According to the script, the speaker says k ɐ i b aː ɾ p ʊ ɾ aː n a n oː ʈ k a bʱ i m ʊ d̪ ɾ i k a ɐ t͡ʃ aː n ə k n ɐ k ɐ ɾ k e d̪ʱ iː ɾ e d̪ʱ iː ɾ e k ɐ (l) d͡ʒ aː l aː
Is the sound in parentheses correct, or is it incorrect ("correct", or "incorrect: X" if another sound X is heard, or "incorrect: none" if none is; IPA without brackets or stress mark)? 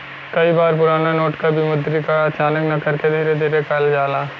correct